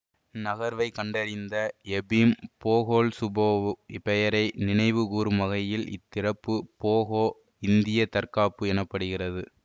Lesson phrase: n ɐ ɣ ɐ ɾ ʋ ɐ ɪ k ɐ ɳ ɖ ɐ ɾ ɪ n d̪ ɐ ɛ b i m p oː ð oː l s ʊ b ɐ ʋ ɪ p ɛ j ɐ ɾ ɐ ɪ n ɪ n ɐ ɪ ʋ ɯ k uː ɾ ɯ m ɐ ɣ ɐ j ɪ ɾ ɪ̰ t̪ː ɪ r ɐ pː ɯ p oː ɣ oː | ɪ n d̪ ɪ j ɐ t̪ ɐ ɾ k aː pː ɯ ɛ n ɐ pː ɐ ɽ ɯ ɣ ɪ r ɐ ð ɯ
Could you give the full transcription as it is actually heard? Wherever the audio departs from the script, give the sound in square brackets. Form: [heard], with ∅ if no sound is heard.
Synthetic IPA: n ɐ ɣ ɐ ɾ ʋ ɐ ɪ k ɐ ɳ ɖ ɐ ɾ ɪ n d̪ ɐ ɛ b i m p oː [ɣ] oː l s ʊ b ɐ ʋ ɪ p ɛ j ɐ ɾ ɐ ɪ n ɪ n ɐ ɪ ʋ ɯ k uː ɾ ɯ m ɐ ɣ ɐ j ɪ [l] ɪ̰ t̪ː ɪ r ɐ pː ɯ p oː ɣ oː | ɪ n d̪ ɪ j ɐ t̪ ɐ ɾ k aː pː ɯ ɛ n ɐ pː ɐ ɽ ɯ ɣ ɪ r ɐ ð ɯ